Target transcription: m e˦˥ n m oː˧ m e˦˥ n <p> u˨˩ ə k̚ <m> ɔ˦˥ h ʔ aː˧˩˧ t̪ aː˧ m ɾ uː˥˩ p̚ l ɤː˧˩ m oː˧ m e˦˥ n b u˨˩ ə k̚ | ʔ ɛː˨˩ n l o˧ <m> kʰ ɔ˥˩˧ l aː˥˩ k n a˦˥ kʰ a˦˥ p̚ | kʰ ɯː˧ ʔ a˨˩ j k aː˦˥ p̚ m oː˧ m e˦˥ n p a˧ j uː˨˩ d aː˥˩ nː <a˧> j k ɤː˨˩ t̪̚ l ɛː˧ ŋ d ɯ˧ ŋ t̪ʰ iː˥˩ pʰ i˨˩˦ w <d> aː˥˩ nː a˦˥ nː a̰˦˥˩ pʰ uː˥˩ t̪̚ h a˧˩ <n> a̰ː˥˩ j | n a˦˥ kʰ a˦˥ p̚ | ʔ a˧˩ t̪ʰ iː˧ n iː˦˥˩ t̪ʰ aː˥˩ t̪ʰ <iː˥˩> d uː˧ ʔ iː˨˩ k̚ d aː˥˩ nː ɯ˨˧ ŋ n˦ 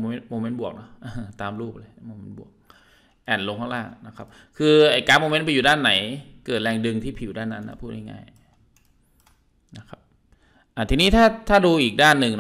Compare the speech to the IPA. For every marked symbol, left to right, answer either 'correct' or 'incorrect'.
incorrect: b, incorrect: n, incorrect: ŋ, incorrect: a˩˦, correct, incorrect: ŋ, incorrect: aː˥˩

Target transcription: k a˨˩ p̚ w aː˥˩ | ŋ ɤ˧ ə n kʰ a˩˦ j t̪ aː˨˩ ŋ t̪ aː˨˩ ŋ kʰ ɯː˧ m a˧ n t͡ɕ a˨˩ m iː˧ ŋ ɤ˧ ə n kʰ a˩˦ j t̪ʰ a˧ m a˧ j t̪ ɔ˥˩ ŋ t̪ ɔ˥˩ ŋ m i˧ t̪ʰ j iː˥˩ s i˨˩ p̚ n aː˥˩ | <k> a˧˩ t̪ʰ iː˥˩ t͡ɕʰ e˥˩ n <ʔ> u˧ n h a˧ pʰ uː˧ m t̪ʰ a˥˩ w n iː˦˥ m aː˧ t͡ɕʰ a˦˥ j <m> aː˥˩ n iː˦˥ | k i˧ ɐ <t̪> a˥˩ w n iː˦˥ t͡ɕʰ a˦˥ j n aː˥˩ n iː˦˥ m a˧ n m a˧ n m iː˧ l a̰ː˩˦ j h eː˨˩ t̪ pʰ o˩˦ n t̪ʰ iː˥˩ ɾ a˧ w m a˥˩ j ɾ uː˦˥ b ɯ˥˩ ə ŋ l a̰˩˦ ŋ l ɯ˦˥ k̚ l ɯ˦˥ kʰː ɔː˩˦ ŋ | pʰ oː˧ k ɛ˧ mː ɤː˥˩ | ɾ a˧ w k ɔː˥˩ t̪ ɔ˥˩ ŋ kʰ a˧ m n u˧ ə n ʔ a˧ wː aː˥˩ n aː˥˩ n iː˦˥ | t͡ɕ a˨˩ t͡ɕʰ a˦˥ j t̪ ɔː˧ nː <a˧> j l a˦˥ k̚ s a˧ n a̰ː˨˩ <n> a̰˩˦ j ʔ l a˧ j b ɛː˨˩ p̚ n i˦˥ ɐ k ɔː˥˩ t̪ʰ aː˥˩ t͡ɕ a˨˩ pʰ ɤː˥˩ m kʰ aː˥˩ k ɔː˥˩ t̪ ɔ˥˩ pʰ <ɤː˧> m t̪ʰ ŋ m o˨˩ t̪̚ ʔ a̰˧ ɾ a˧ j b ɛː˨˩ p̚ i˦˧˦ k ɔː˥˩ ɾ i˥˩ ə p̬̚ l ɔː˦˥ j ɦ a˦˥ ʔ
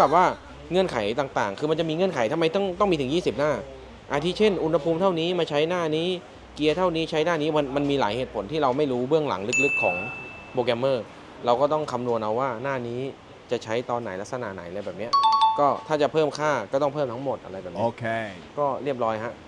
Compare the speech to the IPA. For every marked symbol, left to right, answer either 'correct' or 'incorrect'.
incorrect: ʔ, correct, incorrect: n, incorrect: t̪ʰ, incorrect: a˩˦, correct, incorrect: ɤː˥˩

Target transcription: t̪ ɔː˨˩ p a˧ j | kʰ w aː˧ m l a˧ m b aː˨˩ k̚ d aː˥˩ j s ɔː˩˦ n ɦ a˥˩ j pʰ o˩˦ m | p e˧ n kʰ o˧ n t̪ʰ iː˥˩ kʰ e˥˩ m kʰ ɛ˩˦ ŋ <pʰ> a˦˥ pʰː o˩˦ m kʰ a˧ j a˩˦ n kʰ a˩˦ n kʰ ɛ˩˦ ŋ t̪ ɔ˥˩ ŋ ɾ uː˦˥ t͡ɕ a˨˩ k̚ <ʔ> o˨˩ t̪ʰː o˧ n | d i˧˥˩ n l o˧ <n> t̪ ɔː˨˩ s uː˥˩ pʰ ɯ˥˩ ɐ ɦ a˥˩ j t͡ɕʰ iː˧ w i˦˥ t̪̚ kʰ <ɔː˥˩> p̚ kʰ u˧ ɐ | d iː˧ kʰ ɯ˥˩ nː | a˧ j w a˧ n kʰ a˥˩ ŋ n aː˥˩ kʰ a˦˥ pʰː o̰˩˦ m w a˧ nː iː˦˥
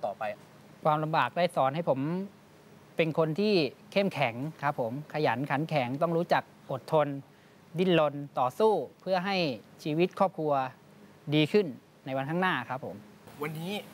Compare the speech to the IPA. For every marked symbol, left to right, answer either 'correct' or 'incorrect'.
incorrect: kʰ, correct, correct, correct

